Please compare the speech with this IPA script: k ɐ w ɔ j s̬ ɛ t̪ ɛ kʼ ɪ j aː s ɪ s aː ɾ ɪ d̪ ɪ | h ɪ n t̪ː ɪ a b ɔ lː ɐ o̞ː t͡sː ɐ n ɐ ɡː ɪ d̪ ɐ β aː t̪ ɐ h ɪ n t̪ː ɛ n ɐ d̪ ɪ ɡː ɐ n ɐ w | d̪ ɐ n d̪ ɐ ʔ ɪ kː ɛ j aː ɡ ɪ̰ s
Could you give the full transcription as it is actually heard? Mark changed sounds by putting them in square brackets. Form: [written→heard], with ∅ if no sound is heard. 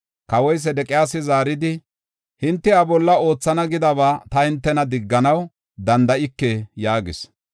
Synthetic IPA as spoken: k ɐ w ɔ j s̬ ɛ [t̪→d̪] ɛ kʼ ɪ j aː s ɪ [s→z] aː ɾ ɪ d̪ ɪ | h ɪ n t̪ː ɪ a b ɔ lː ɐ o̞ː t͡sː ɐ n ɐ [ɡː→ɡ] ɪ d̪ ɐ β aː t̪ ɐ h ɪ n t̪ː ɛ n ɐ d̪ ɪ ɡː ɐ n ɐ w | d̪ ɐ n d̪ ɐ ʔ ɪ kː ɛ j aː ɡ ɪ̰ s

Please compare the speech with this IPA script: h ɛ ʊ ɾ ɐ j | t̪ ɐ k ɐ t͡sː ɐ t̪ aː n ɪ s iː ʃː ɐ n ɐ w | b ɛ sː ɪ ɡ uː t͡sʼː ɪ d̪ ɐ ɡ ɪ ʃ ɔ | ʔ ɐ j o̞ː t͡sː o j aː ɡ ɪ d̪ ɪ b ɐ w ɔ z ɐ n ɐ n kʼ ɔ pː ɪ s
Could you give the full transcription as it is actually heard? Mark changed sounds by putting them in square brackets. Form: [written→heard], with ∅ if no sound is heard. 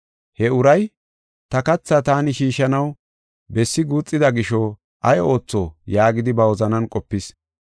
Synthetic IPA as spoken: h ɛ ʊ ɾ ɐ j | t̪ ɐ k ɐ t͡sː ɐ t̪ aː n ɪ [s→ʃ] iː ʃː ɐ n ɐ w | b ɛ sː ɪ ɡ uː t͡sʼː ɪ d̪ ɐ ɡ ɪ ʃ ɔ | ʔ ɐ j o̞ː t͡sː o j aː ɡ ɪ d̪ ɪ b ɐ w ɔ z ɐ n ɐ n kʼ ɔ pː ɪ s

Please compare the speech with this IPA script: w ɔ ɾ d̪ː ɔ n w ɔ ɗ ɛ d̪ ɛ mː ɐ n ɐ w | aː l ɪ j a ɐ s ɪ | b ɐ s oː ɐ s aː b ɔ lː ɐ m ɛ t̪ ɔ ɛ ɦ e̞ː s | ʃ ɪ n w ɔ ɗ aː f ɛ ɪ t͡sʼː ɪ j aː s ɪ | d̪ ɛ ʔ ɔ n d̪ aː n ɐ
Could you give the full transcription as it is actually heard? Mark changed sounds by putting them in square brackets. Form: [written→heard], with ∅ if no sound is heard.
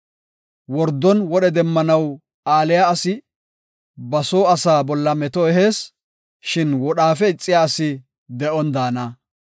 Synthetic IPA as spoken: w ɔ ɾ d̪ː ɔ n w ɔ ɗ ɛ d̪ ɛ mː ɐ n ɐ w | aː l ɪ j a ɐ s ɪ | b ɐ s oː ɐ s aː b ɔ lː ɐ m ɛ t̪ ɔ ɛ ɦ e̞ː s | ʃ ɪ n w ɔ ɗ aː f ɛ ɪ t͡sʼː ɪ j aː s ɪ | d̪ ɛ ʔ ɔ n d̪ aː n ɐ

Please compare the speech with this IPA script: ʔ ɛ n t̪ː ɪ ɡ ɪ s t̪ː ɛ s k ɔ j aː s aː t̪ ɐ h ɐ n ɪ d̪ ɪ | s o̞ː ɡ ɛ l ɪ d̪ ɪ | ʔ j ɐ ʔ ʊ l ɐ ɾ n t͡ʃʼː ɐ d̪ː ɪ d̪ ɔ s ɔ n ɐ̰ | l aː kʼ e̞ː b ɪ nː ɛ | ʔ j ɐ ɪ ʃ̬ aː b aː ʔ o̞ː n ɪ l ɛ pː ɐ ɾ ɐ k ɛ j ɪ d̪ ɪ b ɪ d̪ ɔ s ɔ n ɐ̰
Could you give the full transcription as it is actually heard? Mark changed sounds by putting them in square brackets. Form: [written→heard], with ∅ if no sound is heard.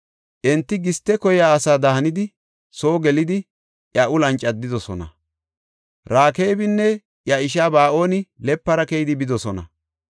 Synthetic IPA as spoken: ʔ ɛ n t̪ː ɪ ɡ ɪ s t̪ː ɛ [s→∅] k ɔ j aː s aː [t̪→d̪] ɐ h ɐ n ɪ d̪ ɪ | s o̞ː ɡ ɛ l ɪ d̪ ɪ | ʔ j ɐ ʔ ʊ l ɐ [ɾ→∅] n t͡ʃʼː ɐ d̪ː ɪ d̪ ɔ s ɔ n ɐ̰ | [l→ɾ] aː [kʼ→k] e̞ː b ɪ nː ɛ | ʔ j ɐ ɪ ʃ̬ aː b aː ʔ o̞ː n ɪ l ɛ pː ɐ ɾ ɐ k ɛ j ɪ d̪ ɪ b ɪ d̪ ɔ s ɔ n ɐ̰

